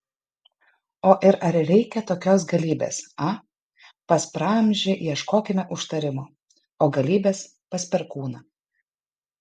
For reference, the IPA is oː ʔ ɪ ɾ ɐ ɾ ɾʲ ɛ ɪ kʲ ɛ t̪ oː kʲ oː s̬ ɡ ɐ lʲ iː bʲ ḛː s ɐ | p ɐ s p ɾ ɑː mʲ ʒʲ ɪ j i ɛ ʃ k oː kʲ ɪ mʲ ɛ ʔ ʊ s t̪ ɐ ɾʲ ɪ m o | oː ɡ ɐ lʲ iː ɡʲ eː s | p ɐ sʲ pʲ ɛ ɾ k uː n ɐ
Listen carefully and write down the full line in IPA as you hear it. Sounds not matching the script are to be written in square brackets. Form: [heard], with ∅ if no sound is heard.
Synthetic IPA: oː ʔ ɪ ɾ ɐ ɾ ɾʲ ɛ ɪ kʲ ɛ t̪ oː kʲ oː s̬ ɡ ɐ lʲ iː bʲ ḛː s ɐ | p ɐ s p ɾ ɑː mʲ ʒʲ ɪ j i ɛ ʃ k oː kʲ ɪ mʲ ɛ ʔ ʊ [ʃ] t̪ ɐ ɾʲ ɪ m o | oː ɡ ɐ lʲ iː [bʲ] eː s | p ɐ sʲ pʲ ɛ ɾ k uː n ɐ

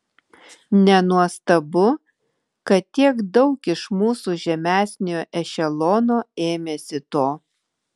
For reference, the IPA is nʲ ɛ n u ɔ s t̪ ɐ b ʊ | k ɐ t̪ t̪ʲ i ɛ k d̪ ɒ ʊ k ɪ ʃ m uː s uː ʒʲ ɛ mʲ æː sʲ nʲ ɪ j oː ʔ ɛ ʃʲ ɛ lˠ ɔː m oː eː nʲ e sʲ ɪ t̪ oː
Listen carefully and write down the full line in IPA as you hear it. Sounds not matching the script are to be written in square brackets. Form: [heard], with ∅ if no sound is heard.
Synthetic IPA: nʲ ɛ n u ɔ s t̪ ɐ b ʊ | k ɐ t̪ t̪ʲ i ɛ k d̪ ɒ ʊ k ɪ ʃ m uː s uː ʒʲ ɛ mʲ æː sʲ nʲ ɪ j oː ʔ ɛ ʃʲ ɛ lˠ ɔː [n] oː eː [mʲ] e sʲ ɪ t̪ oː

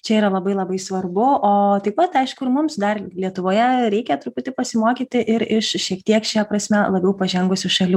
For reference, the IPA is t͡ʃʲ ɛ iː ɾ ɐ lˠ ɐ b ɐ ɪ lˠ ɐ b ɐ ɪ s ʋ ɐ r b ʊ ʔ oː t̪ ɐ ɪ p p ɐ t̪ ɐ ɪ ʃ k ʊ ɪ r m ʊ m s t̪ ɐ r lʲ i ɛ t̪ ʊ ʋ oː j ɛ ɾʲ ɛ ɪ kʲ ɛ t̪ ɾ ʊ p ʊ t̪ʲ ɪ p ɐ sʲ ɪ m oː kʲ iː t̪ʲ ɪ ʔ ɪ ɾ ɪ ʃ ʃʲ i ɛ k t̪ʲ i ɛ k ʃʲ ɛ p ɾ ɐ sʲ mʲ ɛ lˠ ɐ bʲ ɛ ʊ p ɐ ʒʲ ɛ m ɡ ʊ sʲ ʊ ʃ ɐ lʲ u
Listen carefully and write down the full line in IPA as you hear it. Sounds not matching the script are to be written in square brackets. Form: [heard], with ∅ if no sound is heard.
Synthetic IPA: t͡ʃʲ ɛ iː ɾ ɐ lˠ ɐ b ɐ ɪ lˠ ɐ b ɐ ɪ s ʋ ɐ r b ʊ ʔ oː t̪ ɐ ɪ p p ɐ t̪ ɐ ɪ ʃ k ʊ ɪ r m ʊ m s [d̪] ɐ r lʲ i ɛ t̪ ʊ ʋ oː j ɛ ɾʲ ɛ ɪ kʲ ɛ t̪ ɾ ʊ p ʊ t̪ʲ ɪ p ɐ sʲ ɪ m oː kʲ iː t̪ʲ ɪ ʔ ɪ ɾ ɪ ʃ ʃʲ i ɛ k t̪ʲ i ɛ k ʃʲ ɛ p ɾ ɐ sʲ mʲ ɛ lˠ ɐ bʲ ɛ ʊ p ɐ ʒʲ ɛ [ŋ] ɡ ʊ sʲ ʊ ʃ ɐ lʲ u

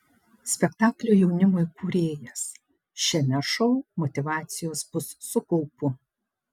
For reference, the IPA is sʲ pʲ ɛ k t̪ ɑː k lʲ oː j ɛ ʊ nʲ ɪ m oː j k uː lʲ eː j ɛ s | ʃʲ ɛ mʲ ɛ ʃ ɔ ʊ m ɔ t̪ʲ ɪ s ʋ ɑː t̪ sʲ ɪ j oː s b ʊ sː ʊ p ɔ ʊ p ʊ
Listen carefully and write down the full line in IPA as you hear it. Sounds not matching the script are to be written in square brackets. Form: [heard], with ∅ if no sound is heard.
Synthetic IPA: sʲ pʲ ɛ k t̪ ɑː k lʲ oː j ɛ ʊ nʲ ɪ m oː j k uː [ɾʲ] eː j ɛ s | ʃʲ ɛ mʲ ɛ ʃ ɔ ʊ m ɔ t̪ʲ ɪ [∅] ʋ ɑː t̪ sʲ ɪ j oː s b ʊ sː ʊ [k] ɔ ʊ p ʊ

